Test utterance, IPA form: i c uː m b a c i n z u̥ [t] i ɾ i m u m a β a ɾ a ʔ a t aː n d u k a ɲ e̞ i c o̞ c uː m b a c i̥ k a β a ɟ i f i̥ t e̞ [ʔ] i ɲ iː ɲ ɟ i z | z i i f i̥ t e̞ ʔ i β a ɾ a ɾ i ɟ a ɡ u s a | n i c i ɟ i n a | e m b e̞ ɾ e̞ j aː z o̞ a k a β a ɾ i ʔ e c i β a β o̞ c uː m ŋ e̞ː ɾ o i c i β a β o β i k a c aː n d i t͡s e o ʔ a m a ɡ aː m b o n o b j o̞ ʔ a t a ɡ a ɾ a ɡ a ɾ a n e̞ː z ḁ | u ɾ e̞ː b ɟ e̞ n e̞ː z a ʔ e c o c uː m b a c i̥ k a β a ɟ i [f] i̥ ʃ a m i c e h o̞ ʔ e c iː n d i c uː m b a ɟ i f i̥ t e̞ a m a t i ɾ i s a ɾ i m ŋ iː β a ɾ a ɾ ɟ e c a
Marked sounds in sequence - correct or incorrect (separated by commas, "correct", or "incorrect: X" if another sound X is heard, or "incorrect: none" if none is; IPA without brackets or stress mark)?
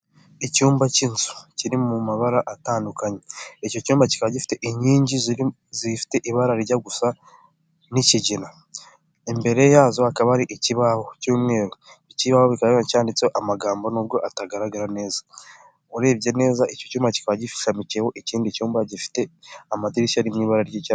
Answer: incorrect: c, correct, correct